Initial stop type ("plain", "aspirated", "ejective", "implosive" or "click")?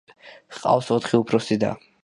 ejective